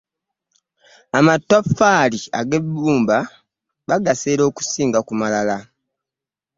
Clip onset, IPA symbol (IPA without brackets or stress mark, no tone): a